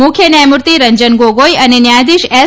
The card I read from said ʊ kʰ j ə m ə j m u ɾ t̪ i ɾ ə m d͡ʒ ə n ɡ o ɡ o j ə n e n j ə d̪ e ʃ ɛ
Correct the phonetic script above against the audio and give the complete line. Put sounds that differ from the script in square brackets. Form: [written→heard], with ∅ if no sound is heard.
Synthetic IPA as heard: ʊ kʰ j ə [m→n] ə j m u ɾ t̪ i ɾ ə [m→ɲ] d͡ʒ ə n ɡ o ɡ o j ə n e n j [ə→a] d̪ [e→i] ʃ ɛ